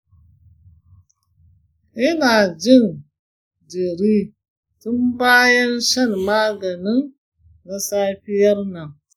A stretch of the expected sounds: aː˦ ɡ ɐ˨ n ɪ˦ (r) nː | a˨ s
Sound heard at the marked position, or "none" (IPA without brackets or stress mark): none